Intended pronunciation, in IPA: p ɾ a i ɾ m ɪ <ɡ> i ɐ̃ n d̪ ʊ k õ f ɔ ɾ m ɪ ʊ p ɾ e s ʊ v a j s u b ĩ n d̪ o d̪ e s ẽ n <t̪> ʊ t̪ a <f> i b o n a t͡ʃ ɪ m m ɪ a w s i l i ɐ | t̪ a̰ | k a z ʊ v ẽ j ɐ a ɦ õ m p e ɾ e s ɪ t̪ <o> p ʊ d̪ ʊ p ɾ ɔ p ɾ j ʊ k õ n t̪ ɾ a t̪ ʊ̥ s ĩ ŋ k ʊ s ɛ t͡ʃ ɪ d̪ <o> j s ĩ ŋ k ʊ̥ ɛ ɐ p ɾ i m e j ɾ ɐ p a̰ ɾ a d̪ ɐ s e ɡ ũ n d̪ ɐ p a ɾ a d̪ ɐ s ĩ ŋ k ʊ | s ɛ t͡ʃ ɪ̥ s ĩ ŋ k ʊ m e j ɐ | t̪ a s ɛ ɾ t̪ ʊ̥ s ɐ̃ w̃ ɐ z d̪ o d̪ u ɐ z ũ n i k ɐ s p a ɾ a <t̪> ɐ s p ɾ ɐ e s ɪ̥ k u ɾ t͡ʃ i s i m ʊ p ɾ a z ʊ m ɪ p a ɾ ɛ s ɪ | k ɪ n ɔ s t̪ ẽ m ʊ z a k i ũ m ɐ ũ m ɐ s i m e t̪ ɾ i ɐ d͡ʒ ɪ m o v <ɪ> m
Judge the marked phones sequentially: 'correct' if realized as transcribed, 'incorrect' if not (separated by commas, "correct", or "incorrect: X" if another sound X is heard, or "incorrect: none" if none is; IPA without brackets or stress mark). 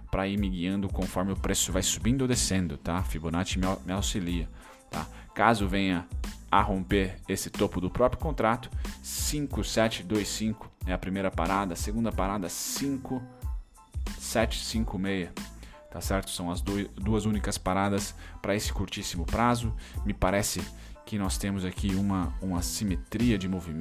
correct, incorrect: d̪, correct, correct, correct, incorrect: d̪, incorrect: i